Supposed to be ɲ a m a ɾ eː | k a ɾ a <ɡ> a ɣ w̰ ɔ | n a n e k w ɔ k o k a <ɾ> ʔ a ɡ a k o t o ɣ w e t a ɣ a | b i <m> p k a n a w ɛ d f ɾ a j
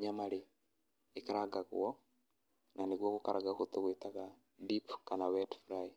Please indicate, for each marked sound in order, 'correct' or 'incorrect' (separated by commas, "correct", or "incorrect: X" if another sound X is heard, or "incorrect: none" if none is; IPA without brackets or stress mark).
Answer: correct, correct, incorrect: none